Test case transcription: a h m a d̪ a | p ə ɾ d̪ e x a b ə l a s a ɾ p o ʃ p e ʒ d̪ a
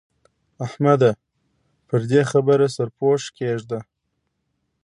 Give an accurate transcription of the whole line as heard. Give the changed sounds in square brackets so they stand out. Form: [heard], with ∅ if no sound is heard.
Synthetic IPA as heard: a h m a d̪ a | p ə ɾ d̪ e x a b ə [ɾ] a s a ɾ p o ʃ [k] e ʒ d̪ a